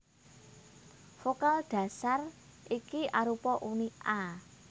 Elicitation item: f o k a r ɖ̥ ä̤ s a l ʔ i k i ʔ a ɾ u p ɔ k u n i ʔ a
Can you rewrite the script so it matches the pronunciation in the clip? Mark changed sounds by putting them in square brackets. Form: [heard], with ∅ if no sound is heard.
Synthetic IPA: f o k a [l] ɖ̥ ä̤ s a [r] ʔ i k i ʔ a ɾ u p ɔ [ʔ] u n i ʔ a

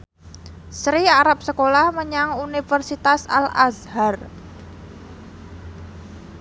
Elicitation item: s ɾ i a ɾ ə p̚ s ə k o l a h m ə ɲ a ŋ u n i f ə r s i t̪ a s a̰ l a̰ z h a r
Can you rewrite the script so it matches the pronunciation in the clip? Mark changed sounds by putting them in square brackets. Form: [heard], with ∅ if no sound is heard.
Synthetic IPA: s ɾ i a ɾ [a] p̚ s ə k o l a h m ə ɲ a ŋ u n i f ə r s i t̪ a s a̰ l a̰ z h a r

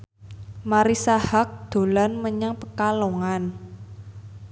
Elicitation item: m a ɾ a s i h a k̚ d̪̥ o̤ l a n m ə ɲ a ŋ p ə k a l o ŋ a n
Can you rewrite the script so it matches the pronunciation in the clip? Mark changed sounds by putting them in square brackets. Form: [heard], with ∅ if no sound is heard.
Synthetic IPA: m a ɾ [i] s [a] h a k̚ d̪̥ o̤ l a n m ə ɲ a ŋ p ə k a l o ŋ a n

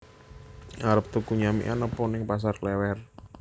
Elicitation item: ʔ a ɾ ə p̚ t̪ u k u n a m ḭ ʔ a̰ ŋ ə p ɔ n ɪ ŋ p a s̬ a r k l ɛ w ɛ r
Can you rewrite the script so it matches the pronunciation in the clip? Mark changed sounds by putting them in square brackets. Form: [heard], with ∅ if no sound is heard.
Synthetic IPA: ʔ a ɾ ə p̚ t̪ u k u [ɲ] a m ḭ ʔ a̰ [n] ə p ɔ n ɪ ŋ p a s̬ a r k l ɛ w ɛ r

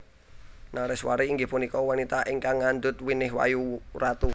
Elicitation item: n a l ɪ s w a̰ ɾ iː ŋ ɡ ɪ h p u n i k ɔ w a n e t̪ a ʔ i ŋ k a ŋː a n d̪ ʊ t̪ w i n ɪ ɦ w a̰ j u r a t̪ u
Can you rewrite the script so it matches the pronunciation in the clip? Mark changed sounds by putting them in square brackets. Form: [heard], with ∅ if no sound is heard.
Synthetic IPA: n a [ɾ] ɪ s w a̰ ɾ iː ŋ ɡ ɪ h p u n i k ɔ w a n [i] t̪ a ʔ i ŋ k a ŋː a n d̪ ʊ t̪ w i n ɪ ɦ w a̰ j u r a t̪ u

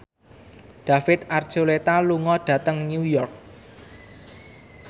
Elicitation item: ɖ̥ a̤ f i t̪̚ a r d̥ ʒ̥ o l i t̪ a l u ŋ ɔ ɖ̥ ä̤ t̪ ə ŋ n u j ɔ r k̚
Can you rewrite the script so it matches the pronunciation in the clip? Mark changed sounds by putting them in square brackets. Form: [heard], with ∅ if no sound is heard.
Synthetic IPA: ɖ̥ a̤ f [ɪ] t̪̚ a r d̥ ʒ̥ o l [e] t̪ a l u ŋ ɔ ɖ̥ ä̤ t̪ ə ŋ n u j ɔ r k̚

